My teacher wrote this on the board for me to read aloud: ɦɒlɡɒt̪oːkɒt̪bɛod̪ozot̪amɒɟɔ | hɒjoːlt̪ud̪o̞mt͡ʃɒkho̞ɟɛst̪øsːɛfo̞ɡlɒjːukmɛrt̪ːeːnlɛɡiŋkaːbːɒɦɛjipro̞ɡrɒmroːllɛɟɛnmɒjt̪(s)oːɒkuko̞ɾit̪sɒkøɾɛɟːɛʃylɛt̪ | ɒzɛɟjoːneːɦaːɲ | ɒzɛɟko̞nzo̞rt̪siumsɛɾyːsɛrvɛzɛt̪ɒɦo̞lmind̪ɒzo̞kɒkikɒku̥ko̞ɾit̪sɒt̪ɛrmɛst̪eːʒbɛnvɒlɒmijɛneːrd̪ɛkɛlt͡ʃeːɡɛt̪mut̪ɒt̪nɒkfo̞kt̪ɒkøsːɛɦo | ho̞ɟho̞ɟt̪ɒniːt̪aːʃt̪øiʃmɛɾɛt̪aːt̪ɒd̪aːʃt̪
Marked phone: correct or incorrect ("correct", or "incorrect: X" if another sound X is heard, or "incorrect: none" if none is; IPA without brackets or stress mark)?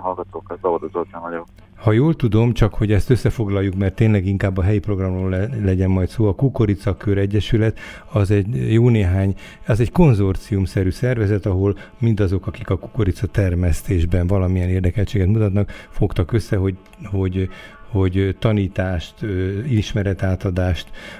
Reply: correct